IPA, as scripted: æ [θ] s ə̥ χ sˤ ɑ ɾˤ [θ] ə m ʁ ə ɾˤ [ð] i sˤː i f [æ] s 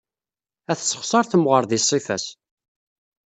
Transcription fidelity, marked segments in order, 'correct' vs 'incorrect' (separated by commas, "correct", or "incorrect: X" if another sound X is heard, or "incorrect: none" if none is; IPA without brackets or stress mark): correct, correct, correct, correct